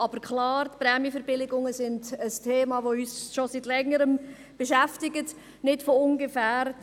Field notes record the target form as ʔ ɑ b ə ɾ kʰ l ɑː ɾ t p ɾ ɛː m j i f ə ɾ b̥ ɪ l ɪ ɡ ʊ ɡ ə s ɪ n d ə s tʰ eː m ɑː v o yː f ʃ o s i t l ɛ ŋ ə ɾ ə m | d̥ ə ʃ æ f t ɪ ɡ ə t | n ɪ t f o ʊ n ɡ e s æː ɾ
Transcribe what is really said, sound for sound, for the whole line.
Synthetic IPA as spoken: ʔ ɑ b ə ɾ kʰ l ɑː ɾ t p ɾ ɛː m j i f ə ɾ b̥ ɪ l ɪ ɡ ʊ ŋ ə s ɪ n d ə s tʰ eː m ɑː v o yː s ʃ o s i t l ɛ ŋ ə ɾ ə m | b̥ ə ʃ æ f t ɪ ɡ ə t | n ɪ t f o ʊ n ɡ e f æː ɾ

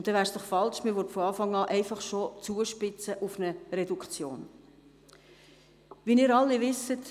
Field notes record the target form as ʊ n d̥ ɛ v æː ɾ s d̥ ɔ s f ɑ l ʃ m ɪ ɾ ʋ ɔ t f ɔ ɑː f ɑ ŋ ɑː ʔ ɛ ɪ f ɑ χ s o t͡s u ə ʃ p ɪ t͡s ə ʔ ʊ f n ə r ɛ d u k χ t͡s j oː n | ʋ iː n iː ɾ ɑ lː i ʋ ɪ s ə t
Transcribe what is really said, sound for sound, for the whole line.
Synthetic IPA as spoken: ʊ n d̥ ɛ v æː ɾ s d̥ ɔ χ f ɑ l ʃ m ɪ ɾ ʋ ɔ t f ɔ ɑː f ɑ ŋ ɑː ʔ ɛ ɪ f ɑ χ ʃ o t͡s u ə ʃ p ɪ t͡s ə ʔ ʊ f n ə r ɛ d u k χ t͡s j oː n | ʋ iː n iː ɾ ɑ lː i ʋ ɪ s ə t

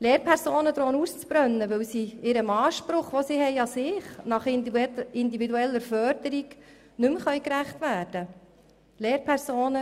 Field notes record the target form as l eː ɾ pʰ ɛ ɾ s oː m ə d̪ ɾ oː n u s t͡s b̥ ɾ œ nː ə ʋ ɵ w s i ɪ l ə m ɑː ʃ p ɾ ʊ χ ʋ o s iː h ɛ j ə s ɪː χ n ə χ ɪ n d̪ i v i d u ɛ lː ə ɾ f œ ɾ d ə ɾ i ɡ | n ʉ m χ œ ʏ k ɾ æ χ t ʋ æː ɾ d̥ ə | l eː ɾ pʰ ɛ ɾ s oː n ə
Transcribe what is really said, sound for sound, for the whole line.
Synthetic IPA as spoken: l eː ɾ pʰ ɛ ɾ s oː n ə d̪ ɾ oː n u s t͡s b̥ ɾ œ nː ə ʋ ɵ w s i ɪ ɾ ə m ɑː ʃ p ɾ ʊ χ ʋ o s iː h ɛ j ɑ s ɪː χ n ɑ χ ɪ n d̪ i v i d u ɛ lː ə ɾ f œ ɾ d ə ɾ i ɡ | n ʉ m χ œ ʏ k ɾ æ χ t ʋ æː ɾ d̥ ə | l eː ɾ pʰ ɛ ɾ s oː n ə

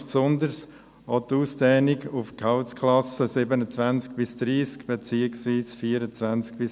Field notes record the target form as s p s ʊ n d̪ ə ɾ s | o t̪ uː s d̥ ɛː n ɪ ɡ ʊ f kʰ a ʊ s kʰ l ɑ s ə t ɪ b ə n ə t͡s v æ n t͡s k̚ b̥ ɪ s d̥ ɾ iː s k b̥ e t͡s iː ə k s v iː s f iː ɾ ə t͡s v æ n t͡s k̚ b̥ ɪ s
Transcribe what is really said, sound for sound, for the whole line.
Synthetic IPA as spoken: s p s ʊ n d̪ ə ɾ s | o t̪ uː s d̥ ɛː n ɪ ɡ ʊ f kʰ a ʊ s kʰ l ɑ s ə s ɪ b ə n ə t͡s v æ n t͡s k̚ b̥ ɪ s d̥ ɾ iː s k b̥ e t͡s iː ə k s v iː s f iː ɾ ə t͡s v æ n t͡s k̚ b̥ ɪ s

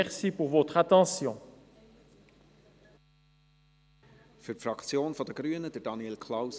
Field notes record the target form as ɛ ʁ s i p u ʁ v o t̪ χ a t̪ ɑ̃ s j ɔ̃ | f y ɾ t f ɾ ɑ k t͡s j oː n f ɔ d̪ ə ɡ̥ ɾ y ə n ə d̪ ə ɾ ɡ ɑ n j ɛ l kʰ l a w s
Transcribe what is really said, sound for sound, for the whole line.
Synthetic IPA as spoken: ɛ ʁ s i p u ʁ v o t̪ χ a t̪ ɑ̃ s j ɔ̃ | f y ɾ t f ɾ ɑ k t͡s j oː n f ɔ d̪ ə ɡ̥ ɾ y ə n ə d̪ ə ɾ d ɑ n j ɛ l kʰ l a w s

